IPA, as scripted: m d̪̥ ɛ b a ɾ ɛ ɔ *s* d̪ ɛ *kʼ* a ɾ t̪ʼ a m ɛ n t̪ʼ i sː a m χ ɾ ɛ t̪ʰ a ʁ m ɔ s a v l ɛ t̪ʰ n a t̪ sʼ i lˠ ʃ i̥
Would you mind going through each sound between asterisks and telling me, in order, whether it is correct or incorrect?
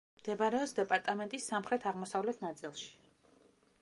correct, incorrect: pʼ

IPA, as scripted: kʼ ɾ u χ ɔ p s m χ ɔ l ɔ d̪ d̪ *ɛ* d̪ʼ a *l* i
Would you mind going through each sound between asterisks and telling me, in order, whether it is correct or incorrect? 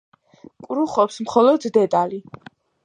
correct, correct

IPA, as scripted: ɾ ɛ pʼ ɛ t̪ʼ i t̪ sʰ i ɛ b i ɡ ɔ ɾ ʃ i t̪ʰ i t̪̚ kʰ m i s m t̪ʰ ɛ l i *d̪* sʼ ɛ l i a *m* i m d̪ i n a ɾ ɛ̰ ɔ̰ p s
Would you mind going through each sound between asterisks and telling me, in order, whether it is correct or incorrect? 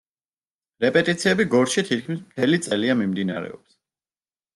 incorrect: t̪, correct

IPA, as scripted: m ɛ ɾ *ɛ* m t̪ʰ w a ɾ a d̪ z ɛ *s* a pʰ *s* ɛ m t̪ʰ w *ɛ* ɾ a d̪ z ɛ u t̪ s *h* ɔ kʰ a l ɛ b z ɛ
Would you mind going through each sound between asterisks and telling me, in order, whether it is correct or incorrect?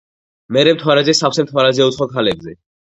correct, correct, correct, incorrect: a, incorrect: χ

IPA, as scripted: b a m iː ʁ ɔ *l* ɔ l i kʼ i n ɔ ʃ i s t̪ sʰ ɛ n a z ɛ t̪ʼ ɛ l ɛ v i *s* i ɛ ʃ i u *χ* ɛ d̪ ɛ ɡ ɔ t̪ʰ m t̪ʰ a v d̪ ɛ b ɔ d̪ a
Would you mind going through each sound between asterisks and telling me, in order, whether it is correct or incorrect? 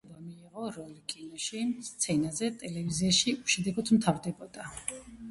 incorrect: ɾ, incorrect: z, incorrect: ʃ

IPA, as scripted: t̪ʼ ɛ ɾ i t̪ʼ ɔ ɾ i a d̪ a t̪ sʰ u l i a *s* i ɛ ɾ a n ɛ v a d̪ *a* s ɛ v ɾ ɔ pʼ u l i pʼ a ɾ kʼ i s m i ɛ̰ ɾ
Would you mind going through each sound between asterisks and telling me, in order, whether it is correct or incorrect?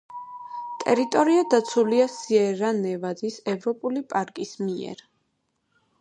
correct, incorrect: i

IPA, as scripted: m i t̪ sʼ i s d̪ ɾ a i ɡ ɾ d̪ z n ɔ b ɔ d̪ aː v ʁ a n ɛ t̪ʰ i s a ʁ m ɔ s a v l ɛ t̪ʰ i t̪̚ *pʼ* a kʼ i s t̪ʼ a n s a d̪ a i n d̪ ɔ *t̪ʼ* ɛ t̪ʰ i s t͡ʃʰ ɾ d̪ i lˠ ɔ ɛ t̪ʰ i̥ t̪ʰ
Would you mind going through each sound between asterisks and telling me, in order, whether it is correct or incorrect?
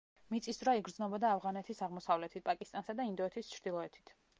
correct, incorrect: none

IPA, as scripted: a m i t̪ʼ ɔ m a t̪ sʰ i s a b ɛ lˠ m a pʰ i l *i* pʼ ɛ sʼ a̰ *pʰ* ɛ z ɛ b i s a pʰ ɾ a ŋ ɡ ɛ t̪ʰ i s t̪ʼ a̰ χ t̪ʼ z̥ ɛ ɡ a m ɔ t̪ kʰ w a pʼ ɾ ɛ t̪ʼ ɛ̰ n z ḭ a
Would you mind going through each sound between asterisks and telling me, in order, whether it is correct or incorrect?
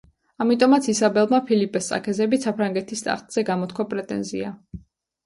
correct, incorrect: kʰ

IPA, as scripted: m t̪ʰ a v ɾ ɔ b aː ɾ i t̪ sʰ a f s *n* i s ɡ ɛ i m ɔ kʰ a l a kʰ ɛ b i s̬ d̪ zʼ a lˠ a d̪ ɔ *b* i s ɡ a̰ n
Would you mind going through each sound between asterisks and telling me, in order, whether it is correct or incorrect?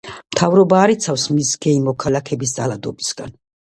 incorrect: m, correct

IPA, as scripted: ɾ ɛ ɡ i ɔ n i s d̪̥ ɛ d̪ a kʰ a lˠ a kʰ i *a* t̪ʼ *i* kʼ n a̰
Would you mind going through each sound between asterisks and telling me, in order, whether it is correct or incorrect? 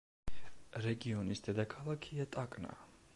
correct, incorrect: a

